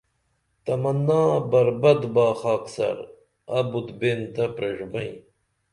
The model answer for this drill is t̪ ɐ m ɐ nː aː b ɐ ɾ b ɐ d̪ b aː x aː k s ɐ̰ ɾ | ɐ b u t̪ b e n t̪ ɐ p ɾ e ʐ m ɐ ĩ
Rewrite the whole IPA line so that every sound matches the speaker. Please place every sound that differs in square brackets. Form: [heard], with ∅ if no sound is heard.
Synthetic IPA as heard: t̪ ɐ m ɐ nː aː b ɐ ɾ b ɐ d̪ b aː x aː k s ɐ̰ ɾ | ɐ b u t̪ b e n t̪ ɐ p ɾ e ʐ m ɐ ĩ